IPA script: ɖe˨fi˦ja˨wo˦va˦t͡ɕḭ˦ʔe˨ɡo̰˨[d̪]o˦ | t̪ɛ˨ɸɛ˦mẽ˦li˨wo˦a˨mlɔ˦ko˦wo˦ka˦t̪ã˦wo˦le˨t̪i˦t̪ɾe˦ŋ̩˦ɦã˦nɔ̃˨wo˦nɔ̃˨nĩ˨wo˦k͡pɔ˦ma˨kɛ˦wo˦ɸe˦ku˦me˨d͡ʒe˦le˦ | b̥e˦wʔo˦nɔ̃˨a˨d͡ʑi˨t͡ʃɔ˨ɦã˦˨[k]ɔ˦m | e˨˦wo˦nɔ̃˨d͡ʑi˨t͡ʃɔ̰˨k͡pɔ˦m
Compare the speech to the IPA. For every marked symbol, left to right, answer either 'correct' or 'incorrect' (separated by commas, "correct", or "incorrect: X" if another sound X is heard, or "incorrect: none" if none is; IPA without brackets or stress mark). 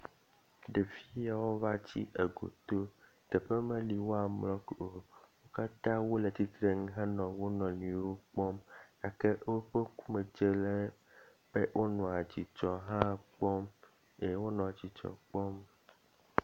incorrect: t̪, incorrect: k͡p